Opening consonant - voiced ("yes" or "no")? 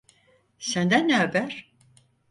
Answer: no